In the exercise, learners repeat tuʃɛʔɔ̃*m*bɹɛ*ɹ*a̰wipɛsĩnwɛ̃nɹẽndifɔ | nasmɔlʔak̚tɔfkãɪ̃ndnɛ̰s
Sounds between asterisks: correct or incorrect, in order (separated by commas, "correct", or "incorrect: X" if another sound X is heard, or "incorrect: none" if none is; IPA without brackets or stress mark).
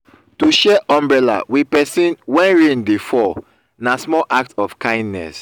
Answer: correct, incorrect: l